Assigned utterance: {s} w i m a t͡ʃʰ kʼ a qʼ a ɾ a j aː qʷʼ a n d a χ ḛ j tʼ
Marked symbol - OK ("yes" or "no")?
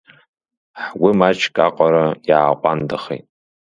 no